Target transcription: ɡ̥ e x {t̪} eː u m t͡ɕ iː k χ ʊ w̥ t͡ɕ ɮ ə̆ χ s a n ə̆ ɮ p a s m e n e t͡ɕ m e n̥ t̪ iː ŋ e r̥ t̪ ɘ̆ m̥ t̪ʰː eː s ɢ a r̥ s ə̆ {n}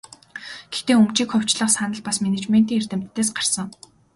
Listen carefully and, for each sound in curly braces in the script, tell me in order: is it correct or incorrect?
correct, incorrect: ŋ

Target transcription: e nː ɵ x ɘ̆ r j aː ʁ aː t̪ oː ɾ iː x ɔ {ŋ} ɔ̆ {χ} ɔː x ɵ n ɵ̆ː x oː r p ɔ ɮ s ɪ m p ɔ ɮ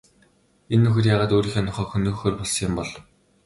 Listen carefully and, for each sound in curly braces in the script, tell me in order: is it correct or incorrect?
incorrect: n, correct

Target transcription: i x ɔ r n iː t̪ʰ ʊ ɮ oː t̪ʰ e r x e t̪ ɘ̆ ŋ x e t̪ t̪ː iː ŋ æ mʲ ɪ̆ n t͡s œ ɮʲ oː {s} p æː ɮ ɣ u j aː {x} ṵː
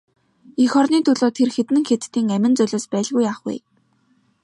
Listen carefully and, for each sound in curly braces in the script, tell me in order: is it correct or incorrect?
correct, incorrect: χ

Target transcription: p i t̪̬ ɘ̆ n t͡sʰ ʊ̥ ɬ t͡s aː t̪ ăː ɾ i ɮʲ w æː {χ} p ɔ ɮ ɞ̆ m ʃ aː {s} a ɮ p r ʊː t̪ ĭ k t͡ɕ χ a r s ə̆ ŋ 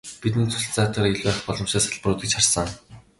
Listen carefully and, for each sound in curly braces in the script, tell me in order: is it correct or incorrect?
correct, correct

